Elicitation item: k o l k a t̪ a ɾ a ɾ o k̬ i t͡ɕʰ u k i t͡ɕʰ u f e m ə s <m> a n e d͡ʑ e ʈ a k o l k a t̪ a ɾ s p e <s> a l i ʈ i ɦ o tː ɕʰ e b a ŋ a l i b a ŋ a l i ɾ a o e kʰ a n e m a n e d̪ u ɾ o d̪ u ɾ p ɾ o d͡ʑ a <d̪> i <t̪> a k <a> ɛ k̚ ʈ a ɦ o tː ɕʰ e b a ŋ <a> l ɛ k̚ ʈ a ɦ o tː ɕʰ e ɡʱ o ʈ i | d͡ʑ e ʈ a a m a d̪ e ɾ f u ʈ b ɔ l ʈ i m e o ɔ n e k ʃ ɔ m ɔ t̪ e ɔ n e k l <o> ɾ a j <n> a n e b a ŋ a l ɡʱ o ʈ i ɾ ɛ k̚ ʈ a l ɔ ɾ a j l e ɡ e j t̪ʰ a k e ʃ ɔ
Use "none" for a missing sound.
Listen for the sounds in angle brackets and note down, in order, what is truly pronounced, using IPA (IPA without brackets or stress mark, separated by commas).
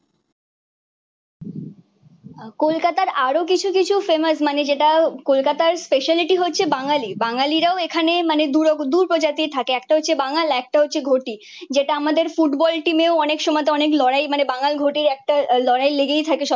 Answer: m, ʃ, t̪, t̪ʰ, e, a, ɔ, m